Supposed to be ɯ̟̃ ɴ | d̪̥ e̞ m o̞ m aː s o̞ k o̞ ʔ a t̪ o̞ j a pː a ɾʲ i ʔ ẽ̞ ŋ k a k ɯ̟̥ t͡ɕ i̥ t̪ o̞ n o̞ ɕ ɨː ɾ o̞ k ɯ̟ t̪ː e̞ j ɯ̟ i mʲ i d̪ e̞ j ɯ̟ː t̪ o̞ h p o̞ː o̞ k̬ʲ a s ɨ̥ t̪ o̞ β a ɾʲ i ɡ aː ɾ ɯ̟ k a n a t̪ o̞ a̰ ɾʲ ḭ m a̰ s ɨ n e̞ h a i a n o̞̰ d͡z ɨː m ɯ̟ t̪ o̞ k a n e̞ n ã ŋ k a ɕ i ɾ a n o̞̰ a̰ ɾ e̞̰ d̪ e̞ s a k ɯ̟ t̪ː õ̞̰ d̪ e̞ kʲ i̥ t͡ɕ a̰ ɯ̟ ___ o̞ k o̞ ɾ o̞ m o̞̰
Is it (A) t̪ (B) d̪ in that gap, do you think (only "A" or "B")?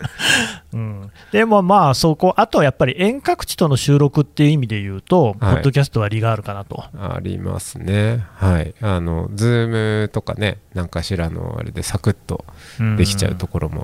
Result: A